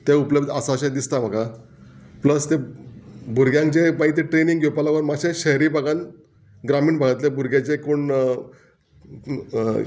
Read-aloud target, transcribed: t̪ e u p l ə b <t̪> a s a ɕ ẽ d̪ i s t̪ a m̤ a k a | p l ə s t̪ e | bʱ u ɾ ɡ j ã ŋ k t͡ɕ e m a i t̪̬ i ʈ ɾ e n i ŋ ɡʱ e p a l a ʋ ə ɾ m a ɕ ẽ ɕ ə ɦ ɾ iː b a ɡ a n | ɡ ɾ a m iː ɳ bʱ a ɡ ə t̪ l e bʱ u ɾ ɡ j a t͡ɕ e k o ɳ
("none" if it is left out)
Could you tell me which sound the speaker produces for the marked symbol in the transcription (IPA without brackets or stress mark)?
d̪